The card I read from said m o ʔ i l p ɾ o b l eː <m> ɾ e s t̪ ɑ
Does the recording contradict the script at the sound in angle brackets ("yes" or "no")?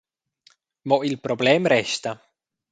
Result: no